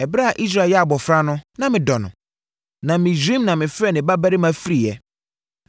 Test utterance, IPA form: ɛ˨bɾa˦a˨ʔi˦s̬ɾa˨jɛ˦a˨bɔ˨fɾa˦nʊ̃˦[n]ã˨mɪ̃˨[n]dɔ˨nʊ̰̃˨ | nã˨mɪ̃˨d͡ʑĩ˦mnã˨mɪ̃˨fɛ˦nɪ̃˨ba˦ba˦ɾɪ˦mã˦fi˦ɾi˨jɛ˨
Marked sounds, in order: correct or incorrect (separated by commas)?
correct, incorrect